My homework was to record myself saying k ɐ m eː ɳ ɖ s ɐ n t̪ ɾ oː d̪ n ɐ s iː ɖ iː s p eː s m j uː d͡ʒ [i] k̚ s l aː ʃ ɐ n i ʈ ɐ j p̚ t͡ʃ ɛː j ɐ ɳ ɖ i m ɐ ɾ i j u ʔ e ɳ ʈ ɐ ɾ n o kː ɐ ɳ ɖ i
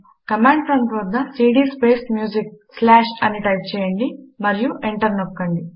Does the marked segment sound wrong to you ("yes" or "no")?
no